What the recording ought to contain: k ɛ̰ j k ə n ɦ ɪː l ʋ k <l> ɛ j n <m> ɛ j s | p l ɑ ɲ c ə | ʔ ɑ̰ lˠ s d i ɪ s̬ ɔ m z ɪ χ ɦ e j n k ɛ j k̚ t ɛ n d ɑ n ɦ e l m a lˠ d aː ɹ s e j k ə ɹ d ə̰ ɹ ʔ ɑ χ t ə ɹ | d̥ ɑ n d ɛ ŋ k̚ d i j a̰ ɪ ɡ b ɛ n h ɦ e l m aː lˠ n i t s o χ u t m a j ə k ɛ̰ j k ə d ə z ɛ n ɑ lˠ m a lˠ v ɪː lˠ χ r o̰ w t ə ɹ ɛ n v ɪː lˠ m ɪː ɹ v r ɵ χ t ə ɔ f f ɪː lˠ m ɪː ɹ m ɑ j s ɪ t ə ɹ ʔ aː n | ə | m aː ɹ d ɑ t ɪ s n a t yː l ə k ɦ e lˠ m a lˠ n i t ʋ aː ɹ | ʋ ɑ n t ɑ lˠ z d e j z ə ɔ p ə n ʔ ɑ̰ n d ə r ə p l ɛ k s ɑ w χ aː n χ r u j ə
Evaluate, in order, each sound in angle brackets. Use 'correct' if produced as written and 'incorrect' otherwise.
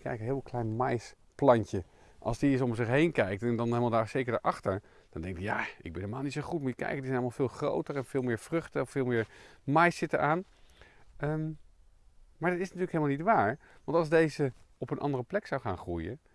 correct, correct

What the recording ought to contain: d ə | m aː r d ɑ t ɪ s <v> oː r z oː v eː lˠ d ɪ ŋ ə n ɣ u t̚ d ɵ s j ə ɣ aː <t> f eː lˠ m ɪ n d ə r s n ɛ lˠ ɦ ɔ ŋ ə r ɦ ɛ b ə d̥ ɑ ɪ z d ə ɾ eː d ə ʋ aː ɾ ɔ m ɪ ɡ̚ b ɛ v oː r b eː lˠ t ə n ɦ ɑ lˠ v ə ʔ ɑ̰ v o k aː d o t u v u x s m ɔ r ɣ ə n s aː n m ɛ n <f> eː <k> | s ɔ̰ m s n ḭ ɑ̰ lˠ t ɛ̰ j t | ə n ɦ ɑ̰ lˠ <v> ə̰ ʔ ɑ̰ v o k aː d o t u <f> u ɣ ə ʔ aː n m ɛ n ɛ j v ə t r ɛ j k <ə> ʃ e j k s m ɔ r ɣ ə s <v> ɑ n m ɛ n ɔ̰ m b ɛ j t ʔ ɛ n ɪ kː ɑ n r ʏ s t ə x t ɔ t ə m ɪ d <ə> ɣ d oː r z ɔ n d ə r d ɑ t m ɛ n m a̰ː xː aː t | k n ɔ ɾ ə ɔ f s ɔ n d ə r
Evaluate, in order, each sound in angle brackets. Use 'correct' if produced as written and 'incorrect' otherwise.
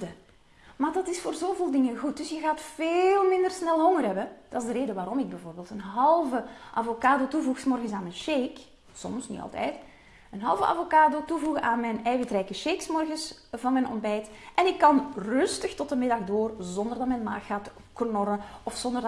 incorrect, correct, incorrect, correct, correct, incorrect, correct, correct, incorrect

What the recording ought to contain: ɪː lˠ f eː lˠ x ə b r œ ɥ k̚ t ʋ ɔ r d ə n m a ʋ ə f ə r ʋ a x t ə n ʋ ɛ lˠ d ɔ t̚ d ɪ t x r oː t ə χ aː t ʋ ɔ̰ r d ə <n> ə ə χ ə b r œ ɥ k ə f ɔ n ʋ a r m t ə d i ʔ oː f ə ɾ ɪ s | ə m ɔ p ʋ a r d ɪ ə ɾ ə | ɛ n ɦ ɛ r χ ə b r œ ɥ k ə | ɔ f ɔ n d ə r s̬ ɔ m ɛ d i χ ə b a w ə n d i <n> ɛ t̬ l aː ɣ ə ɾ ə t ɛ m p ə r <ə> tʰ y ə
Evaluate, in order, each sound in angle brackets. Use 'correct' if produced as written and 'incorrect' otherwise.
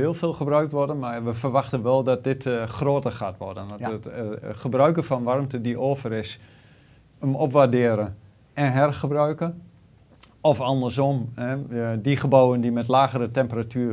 correct, incorrect, incorrect

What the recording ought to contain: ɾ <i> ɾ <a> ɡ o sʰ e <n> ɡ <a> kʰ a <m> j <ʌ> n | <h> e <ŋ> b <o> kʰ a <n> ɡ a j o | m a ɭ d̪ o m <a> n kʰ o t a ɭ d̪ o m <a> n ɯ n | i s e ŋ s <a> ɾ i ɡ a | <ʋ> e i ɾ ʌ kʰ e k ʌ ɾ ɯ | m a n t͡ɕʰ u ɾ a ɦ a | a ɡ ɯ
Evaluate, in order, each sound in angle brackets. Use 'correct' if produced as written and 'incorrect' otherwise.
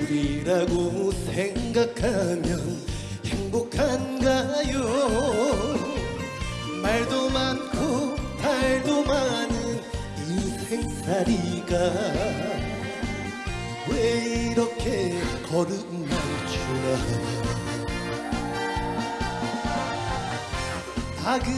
correct, correct, incorrect, correct, correct, correct, correct, correct, correct, correct, correct, correct, correct, incorrect

